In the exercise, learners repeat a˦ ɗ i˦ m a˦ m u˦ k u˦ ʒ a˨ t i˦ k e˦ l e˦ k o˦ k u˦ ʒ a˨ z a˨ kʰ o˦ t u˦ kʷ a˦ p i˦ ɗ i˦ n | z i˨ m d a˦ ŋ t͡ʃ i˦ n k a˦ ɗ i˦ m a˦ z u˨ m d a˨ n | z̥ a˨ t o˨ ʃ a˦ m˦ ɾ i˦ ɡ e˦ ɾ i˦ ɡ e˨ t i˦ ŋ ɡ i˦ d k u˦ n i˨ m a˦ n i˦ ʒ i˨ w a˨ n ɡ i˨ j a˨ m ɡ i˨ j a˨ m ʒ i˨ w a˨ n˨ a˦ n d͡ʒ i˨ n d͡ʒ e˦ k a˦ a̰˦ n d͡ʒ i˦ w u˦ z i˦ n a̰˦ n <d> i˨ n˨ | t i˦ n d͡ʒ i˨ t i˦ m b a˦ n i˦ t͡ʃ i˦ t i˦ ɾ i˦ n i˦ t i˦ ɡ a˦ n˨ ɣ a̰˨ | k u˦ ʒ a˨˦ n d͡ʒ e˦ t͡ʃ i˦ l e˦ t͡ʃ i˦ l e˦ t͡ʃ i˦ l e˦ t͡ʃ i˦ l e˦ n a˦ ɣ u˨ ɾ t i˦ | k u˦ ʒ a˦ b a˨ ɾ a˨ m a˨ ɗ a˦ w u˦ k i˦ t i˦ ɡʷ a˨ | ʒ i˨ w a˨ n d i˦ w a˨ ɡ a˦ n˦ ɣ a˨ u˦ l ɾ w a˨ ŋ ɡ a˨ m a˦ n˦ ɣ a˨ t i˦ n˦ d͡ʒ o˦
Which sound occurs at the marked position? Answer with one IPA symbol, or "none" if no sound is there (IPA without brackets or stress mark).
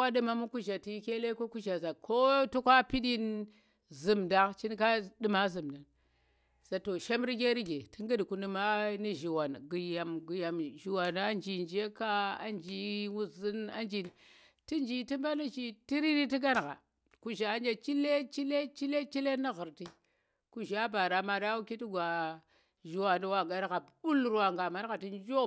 d͡ʒ